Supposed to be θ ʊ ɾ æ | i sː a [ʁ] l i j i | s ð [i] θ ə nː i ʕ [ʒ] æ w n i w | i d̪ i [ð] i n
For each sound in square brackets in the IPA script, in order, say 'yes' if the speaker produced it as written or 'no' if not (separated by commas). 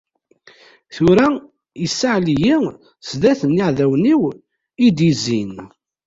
no, no, no, no